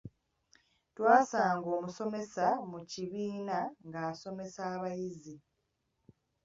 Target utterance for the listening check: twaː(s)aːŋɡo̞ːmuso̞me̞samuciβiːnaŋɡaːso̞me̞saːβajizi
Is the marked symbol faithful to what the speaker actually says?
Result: yes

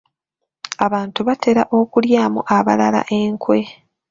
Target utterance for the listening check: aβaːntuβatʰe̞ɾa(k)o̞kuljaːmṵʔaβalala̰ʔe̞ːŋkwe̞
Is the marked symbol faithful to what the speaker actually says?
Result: no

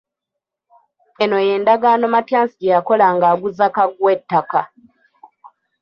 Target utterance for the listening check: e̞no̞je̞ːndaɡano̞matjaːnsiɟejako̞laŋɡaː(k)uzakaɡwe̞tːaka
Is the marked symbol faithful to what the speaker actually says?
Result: no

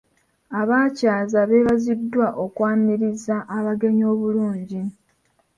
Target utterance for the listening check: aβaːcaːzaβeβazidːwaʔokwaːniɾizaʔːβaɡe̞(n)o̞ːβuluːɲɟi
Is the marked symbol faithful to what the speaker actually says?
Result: no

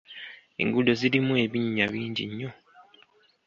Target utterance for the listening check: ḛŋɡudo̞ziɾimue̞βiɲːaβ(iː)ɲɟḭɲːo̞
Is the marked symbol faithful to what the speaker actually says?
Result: yes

